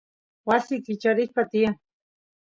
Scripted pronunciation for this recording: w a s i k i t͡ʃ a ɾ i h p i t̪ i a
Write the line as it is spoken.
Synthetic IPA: w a s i k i t͡ʃ a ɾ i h p a t̪ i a